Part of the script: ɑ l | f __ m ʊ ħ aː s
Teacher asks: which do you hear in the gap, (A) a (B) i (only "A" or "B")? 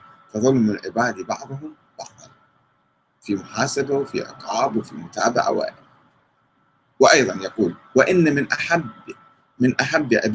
B